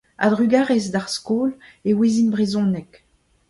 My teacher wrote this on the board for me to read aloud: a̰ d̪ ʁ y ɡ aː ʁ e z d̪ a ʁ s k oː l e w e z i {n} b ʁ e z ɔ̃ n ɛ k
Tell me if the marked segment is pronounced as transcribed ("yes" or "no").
yes